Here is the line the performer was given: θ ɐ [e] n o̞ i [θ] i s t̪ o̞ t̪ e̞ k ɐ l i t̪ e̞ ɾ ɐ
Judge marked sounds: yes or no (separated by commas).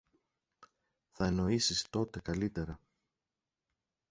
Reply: yes, no